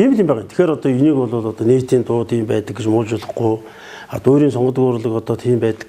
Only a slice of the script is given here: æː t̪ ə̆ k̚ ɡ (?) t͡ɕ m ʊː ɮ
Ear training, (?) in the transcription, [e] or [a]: e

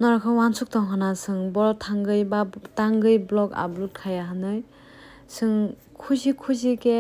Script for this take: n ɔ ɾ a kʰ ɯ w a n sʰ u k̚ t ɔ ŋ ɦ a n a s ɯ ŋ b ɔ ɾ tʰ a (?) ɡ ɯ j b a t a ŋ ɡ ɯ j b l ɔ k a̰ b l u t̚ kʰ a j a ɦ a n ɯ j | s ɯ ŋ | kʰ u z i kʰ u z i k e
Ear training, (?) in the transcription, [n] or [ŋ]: ŋ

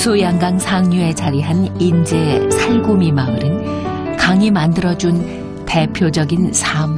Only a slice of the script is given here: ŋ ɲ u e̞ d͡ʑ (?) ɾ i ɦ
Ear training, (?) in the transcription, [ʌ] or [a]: a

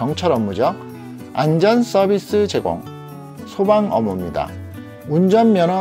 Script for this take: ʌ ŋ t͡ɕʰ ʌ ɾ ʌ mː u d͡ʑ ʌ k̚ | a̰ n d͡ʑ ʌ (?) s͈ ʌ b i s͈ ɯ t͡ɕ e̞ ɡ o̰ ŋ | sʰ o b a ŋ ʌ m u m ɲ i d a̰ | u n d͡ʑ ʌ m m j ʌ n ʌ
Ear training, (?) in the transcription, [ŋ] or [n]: n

